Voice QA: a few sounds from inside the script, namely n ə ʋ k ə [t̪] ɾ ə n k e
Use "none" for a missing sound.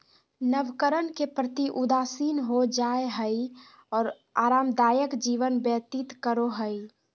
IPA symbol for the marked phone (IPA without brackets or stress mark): none